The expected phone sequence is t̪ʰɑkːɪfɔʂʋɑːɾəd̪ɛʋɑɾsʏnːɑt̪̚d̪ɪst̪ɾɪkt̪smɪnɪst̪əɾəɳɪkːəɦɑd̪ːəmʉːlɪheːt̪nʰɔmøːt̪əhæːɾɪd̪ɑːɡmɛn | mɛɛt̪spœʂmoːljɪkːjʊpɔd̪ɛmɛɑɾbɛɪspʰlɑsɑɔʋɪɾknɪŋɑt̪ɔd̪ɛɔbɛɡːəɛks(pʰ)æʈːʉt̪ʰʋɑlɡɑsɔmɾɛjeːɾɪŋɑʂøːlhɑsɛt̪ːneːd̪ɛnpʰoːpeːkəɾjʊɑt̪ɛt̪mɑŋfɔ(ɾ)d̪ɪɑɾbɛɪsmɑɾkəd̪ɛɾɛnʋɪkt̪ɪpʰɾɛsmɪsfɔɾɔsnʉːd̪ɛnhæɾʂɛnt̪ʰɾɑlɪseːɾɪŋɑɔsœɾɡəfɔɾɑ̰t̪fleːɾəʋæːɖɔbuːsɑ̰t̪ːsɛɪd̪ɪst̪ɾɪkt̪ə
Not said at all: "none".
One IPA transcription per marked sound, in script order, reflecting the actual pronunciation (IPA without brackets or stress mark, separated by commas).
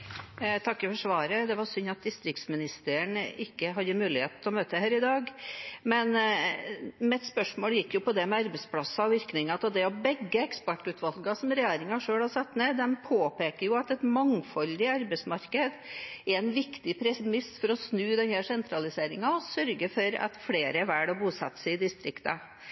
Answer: p, l